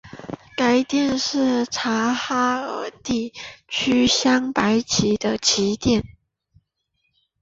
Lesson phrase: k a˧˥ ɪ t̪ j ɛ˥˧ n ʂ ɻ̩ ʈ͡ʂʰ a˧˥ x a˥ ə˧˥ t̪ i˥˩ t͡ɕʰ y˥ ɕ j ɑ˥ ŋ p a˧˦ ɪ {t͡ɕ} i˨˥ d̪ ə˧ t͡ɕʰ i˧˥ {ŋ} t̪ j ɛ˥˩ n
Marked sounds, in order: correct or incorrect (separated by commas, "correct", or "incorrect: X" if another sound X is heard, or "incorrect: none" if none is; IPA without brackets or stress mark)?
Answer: incorrect: t͡ɕʰ, incorrect: none